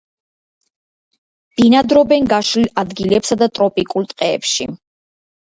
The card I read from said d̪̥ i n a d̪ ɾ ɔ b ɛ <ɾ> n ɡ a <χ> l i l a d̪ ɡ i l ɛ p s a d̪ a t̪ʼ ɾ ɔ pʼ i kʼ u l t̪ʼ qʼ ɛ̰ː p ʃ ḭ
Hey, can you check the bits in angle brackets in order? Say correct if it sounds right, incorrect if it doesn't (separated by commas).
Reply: incorrect, incorrect